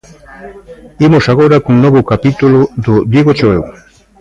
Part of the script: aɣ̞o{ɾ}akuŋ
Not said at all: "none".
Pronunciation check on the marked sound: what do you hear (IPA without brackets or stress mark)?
ɾ